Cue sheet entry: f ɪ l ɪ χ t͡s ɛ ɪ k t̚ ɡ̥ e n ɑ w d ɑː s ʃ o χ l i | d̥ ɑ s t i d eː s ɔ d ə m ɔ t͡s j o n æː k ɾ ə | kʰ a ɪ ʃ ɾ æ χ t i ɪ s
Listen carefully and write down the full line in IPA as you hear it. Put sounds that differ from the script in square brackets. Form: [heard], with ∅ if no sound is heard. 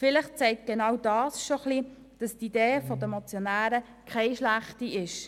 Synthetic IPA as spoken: f ɪ l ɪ χ t͡s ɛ ɪ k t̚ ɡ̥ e n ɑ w d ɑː s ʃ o χ l i | d̥ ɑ s t i d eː [f] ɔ d ə m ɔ t͡s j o n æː [∅] ɾ ə | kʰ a ɪ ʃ [l] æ χ t i ɪ [ʃ]